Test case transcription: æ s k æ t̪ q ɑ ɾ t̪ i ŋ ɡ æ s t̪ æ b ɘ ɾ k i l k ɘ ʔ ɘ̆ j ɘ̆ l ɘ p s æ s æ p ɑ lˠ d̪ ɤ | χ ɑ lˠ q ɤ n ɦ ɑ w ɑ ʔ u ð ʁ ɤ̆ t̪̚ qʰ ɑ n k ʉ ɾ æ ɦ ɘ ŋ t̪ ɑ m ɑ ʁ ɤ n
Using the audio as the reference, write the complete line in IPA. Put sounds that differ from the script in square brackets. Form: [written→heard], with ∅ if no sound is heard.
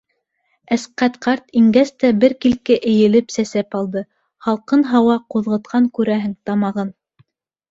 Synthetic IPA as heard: æ s [k→q] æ t̪ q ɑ ɾ t̪ i ŋ ɡ æ s t̪ æ b ɘ ɾ k i l k ɘ ʔ ɘ̆ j ɘ̆ l ɘ p s æ s æ p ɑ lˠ d̪ ɤ | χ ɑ lˠ q ɤ n ɦ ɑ w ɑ [ʔ→q] u ð ʁ ɤ̆ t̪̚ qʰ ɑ [n→ŋ] k ʉ ɾ æ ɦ ɘ ŋ t̪ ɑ m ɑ ʁ ɤ n